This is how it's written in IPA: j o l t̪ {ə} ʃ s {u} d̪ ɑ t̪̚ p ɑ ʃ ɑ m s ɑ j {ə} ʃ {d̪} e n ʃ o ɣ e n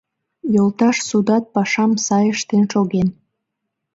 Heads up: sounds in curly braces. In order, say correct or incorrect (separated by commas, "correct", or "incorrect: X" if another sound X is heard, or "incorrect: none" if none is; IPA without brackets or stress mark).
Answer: incorrect: ɑ, correct, correct, incorrect: t̪